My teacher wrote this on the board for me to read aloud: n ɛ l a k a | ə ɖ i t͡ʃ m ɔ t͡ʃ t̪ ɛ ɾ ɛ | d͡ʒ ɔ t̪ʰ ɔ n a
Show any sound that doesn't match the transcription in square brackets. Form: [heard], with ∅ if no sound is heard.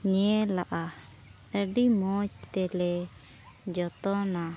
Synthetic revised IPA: [ɲ] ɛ l a [ʔ] a | ə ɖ i [∅] m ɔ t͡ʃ t̪ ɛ [l] ɛ | d͡ʒ ɔ [t̪] ɔ n a